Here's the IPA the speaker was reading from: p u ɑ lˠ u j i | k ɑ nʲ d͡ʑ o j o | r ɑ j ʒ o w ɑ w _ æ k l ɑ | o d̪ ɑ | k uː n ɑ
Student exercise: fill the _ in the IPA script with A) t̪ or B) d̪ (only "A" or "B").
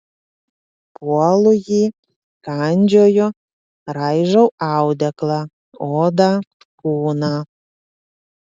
B